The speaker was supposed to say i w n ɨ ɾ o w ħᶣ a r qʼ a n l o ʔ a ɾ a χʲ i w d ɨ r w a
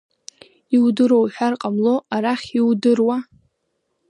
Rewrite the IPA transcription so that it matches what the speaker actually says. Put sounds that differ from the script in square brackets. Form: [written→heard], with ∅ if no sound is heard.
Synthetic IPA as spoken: i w [n→d] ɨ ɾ o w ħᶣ a r qʼ a [n→m] l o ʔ a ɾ a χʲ i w d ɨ r w a